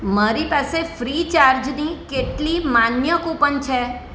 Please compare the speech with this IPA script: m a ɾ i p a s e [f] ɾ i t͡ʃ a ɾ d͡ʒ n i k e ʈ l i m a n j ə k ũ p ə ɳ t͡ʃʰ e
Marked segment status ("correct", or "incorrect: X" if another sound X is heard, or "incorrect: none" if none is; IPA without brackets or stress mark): correct